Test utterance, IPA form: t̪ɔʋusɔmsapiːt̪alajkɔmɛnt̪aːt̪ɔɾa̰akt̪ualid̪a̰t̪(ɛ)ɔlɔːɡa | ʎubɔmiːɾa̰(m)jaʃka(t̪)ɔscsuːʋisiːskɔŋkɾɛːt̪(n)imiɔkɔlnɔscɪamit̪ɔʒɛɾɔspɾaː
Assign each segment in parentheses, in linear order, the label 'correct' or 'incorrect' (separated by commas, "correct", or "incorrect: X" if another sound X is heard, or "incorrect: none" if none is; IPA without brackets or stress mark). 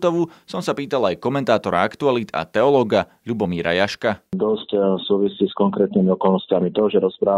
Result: correct, incorrect: none, incorrect: d̪, correct